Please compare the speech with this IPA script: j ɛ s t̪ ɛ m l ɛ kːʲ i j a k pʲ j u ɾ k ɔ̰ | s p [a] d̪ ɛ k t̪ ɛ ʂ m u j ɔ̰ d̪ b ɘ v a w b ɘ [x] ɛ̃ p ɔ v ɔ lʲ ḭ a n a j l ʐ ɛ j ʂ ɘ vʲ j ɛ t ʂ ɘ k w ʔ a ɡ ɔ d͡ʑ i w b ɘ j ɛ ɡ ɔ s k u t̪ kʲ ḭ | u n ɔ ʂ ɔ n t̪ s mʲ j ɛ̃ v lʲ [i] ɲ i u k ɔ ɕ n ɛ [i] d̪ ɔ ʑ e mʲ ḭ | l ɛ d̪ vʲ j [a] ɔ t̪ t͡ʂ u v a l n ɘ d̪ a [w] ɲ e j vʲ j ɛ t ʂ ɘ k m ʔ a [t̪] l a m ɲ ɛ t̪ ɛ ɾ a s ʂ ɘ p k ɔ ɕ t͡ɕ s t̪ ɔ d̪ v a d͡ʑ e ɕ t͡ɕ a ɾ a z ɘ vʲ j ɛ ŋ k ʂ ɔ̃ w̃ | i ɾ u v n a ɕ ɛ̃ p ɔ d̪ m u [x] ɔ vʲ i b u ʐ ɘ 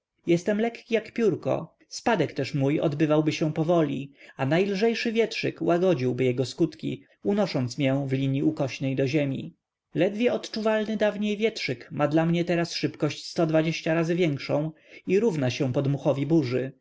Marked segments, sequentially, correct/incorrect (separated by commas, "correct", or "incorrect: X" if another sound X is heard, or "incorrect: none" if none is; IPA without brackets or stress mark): correct, incorrect: ɕ, correct, incorrect: j, incorrect: ɛ, incorrect: v, incorrect: d̪, correct